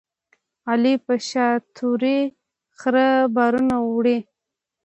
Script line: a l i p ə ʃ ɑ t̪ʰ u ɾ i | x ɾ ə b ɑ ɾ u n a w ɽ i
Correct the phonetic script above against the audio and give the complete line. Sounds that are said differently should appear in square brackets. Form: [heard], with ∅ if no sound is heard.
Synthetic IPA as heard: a l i p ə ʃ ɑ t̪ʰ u ɾ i | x ɾ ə b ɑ ɾ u n a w ɽ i